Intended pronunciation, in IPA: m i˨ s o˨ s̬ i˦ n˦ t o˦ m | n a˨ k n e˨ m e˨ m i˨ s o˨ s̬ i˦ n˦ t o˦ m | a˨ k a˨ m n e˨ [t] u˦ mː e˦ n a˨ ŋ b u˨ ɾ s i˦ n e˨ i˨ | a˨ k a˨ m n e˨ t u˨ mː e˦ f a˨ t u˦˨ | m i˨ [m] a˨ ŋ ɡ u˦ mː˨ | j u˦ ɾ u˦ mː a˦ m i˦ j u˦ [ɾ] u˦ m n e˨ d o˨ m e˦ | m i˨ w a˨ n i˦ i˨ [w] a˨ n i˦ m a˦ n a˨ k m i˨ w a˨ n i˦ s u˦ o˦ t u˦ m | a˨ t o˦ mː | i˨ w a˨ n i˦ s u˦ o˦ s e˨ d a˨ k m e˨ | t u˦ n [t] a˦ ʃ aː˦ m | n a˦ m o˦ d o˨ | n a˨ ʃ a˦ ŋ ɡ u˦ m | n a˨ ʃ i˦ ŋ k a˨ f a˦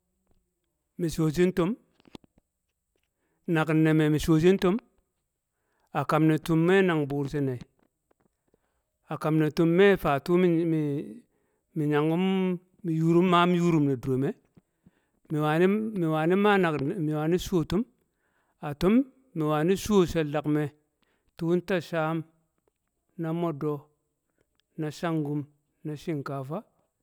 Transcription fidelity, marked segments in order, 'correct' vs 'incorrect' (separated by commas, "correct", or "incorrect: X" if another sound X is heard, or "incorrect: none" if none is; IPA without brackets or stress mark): correct, incorrect: ɲ, correct, correct, correct